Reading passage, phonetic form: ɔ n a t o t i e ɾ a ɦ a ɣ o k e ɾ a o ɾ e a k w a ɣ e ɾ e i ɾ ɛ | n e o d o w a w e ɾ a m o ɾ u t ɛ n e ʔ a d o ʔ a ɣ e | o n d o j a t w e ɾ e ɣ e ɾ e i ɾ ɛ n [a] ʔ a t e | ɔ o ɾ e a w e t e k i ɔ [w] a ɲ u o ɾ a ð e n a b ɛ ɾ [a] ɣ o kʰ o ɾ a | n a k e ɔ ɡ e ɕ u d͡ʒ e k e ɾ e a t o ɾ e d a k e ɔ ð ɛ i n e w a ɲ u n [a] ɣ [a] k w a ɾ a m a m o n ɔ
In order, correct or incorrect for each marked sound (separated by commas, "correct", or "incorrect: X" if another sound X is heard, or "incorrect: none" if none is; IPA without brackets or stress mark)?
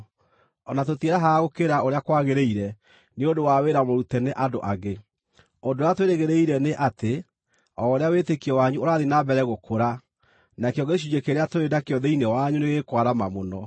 incorrect: e, correct, incorrect: ɛ, incorrect: e, incorrect: e